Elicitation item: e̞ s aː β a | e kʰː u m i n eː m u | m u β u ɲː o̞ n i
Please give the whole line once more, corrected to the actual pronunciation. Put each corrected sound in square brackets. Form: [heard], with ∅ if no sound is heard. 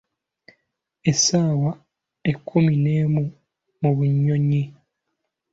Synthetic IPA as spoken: e̞ s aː [w] a | e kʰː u m i n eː m u | m u β u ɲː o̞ [ɲ] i